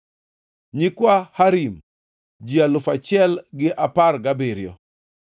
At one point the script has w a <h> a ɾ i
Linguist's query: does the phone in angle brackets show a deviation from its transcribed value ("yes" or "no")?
no